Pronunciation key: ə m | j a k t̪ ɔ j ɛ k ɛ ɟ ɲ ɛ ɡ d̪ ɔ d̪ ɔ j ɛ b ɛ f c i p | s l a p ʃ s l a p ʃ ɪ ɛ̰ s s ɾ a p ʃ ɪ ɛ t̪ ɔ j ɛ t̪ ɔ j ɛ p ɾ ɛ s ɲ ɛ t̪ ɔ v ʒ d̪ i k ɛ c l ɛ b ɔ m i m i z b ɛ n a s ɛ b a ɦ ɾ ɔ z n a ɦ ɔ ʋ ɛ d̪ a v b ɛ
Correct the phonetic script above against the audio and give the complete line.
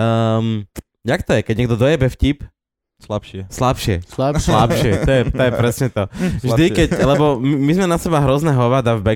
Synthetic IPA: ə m | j a k t̪ ɔ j ɛ k ɛ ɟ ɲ ɛ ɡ d̪ ɔ d̪ ɔ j ɛ b ɛ f c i p | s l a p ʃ s l a p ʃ ɪ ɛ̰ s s l a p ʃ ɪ ɛ t̪ ɔ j ɛ t̪ ɔ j ɛ p ɾ ɛ s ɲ ɛ t̪ ɔ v ʒ d̪ i k ɛ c l ɛ b ɔ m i m i z m ɛ n a s ɛ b a ɦ ɾ ɔ z n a ɦ ɔ ʋ a d̪ a v b ɛ